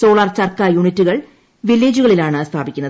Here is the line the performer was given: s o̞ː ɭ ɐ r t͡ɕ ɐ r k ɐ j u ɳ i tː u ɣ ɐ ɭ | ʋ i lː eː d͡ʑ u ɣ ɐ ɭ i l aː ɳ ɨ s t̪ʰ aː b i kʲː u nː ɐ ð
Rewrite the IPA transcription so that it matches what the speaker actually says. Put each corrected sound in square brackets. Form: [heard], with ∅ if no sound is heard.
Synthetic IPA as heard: s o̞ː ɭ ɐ r t͡ɕ ɐ r k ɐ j u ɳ i tː u ɣ ɐ ɭ | ʋ i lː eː d͡ʑ u ɣ ɐ ɭ i l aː ɳ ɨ s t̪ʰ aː b i kʲː u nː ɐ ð